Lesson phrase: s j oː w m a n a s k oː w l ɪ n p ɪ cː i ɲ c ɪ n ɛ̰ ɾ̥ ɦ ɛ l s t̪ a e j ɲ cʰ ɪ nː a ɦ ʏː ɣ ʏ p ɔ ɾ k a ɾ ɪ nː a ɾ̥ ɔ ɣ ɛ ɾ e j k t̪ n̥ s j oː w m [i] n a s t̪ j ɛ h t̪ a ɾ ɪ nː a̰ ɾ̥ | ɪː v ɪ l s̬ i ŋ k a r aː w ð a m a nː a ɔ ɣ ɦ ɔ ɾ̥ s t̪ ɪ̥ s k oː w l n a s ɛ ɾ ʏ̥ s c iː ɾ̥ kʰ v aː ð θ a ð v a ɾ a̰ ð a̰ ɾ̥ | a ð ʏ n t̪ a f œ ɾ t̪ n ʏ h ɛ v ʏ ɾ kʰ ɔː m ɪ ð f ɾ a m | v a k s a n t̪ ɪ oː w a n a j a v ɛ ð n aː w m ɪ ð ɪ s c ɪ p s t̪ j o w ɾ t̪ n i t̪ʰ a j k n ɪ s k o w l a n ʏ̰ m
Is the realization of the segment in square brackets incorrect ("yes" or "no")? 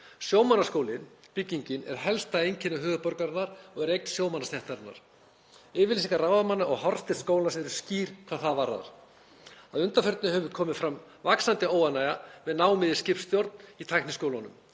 yes